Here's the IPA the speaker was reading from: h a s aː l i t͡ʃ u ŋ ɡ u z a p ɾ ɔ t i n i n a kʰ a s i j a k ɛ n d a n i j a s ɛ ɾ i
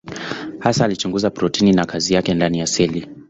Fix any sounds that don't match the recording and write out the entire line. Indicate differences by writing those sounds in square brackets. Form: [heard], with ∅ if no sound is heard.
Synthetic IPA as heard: h a s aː l i t͡ʃ u ŋ ɡ u z a p ɾ ɔ t i n i n a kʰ a [z] i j a k ɛ n d a n i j a s ɛ [l] i